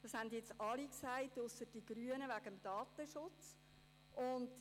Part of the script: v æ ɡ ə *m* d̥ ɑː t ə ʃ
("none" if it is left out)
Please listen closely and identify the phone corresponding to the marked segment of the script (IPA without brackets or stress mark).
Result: m